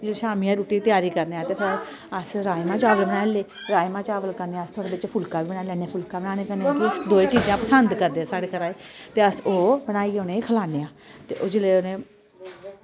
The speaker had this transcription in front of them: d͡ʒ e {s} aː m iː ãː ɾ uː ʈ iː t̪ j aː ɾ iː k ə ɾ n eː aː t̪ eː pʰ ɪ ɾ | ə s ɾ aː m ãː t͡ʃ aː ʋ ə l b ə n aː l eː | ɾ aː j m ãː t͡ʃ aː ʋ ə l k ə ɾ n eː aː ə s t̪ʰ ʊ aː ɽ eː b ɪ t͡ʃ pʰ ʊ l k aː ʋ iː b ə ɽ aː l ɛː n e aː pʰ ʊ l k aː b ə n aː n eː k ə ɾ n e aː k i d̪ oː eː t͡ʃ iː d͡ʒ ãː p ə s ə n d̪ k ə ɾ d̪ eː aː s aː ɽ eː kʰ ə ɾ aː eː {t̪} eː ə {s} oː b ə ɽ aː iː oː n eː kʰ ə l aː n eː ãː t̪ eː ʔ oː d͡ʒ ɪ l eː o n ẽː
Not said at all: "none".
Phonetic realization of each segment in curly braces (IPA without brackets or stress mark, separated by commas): ʃ, t̪, s